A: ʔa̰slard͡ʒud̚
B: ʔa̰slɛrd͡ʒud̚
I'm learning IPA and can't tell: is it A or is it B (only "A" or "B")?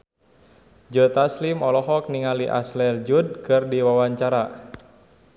B